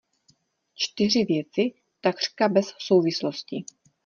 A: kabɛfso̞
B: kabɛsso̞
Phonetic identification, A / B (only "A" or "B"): B